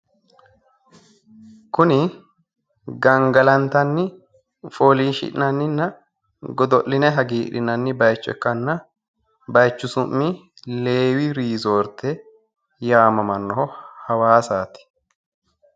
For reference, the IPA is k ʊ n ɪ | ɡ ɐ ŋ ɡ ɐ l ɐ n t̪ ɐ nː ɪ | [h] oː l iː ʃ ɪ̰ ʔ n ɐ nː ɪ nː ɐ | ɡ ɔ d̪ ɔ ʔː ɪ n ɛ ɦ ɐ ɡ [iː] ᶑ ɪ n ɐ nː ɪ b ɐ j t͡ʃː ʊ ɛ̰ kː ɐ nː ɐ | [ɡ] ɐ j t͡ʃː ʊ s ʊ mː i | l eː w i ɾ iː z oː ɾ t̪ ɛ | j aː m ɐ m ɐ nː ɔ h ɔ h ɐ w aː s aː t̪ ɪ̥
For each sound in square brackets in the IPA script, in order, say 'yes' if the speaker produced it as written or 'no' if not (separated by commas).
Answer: no, yes, no